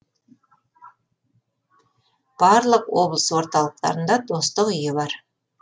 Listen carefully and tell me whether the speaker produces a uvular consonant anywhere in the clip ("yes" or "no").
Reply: yes